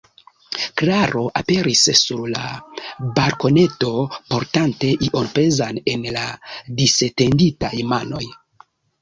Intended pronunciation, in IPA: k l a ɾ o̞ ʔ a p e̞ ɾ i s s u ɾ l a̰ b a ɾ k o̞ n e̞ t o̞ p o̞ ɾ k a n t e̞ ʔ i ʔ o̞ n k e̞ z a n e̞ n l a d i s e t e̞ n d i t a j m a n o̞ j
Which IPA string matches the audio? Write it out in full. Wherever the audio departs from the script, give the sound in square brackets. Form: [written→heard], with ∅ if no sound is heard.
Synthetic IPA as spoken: k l a ɾ o̞ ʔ a p e̞ ɾ i s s u ɾ l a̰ b a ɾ k o̞ n e̞ t o̞ p o̞ ɾ [k→t] a n t e̞ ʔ i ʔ o̞ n [k→p] e̞ z a n e̞ n l a d i s e t e̞ n d i t a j m a n o̞ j